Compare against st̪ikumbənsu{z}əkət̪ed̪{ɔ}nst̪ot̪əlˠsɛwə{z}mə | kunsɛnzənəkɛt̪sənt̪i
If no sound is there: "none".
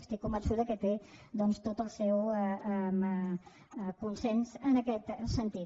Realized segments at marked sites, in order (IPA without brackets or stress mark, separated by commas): ð, ɔ, none